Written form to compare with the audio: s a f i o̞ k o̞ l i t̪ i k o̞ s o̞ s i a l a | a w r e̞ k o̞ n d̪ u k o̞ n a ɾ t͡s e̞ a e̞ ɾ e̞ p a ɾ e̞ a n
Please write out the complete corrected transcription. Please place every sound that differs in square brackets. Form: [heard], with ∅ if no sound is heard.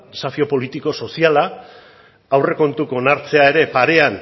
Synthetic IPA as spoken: s a f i o̞ [p] o̞ l i t̪ i k o̞ s o̞ s i a l a | a w r e̞ k o̞ n [t̪] u k o̞ n a ɾ t͡s e̞ a e̞ ɾ e̞ p a ɾ e̞ a n